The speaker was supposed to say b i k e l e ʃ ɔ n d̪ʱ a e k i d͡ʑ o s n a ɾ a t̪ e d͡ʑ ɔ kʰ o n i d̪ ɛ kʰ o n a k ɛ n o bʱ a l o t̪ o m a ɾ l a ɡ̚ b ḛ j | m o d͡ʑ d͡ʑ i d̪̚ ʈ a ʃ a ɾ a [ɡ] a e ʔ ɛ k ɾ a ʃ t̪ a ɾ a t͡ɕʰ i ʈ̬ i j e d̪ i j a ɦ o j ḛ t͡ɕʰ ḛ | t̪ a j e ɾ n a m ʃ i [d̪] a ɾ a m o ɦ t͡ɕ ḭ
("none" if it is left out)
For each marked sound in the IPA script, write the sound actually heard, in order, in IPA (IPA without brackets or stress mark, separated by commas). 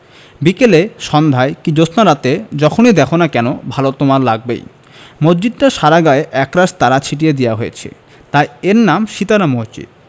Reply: ɡ, t̪